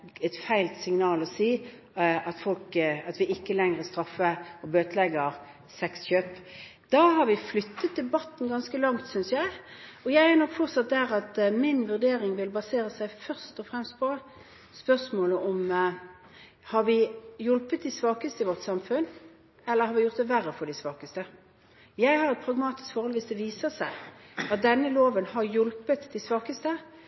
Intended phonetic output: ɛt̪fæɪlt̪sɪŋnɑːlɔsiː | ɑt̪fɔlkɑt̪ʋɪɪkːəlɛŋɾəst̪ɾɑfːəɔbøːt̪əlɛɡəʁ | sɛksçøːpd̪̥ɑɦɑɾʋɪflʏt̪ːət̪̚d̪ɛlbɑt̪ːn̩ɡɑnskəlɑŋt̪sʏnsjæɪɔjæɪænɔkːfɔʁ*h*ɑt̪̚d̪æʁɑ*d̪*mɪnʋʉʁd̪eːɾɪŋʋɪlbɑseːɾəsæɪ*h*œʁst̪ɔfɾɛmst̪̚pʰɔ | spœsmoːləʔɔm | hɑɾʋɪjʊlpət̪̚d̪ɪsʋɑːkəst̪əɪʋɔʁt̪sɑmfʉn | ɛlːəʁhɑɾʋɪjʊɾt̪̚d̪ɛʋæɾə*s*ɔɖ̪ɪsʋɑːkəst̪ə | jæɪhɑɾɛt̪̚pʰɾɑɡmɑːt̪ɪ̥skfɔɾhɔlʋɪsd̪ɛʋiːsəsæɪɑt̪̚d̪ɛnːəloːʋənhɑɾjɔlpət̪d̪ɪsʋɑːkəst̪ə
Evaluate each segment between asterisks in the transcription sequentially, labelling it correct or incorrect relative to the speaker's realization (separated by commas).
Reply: incorrect, incorrect, incorrect, incorrect